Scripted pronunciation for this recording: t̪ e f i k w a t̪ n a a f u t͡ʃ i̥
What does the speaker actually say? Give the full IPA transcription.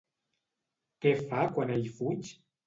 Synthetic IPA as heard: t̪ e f a k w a n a i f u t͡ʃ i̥